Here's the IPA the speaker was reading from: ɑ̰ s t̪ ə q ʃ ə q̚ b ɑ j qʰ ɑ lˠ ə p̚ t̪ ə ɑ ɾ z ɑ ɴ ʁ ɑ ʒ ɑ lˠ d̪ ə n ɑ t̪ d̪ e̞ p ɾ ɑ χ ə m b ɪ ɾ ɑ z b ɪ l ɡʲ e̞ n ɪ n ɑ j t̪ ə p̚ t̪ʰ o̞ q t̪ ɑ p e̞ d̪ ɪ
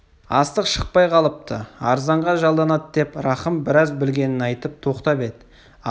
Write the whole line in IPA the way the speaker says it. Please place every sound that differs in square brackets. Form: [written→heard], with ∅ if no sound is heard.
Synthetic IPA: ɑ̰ s t̪ ə q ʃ ə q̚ [b→p] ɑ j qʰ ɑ lˠ ə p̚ t̪ ə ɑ ɾ z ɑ ɴ ʁ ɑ ʒ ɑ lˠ d̪ [ə→ɑ] n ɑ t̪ d̪ e̞ p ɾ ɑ χ ə m b ɪ ɾ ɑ z b ɪ l ɡʲ e̞ n ɪ n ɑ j t̪ ə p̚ t̪ʰ o̞ q t̪ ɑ p e̞ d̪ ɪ